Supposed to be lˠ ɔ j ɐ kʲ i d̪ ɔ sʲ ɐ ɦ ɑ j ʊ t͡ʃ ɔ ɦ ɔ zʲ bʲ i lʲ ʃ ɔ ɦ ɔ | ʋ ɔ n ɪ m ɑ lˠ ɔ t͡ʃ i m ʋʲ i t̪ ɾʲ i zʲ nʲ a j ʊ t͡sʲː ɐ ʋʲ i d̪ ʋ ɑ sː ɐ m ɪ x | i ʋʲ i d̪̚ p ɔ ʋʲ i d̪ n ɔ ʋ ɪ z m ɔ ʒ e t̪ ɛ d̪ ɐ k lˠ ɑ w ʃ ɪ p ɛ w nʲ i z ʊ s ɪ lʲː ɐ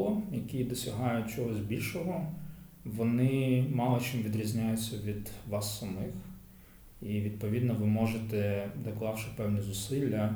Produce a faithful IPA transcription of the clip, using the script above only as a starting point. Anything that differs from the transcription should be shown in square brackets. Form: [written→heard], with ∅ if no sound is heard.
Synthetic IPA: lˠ ɔ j ɐ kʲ i d̪ ɔ sʲ ɐ ɦ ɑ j ʊ t͡ʃ ɔ ɦ ɔ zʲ bʲ i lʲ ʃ ɔ ɦ ɔ | ʋ ɔ n ɪ m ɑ lˠ ɔ t͡ʃ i m ʋʲ i [t̪→d̪] ɾʲ i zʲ nʲ a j ʊ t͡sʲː ɐ ʋʲ i d̪ ʋ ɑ sː ɐ m ɪ x | i ʋʲ i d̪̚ p ɔ ʋʲ i d̪ n ɔ ʋ ɪ [z→∅] m ɔ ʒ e t̪ ɛ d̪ ɐ k lˠ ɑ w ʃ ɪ p ɛ w nʲ i z ʊ s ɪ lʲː ɐ